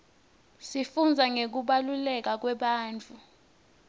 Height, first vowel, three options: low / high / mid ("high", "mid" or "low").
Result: high